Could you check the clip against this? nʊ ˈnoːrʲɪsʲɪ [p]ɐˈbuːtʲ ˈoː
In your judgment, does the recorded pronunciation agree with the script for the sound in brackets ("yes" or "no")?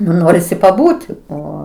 yes